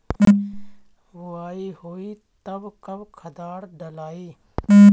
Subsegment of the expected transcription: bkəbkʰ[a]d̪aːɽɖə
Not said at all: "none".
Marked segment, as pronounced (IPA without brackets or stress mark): ə